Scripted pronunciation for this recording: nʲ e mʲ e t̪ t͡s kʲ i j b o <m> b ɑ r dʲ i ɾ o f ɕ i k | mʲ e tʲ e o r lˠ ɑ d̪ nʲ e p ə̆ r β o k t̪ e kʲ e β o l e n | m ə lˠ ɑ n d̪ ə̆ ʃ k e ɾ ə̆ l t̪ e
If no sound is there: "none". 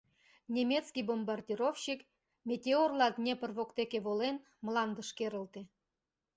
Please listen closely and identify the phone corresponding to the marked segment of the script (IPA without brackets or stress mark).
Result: m